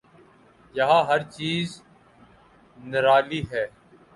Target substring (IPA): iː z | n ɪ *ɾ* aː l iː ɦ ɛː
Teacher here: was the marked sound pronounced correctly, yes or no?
yes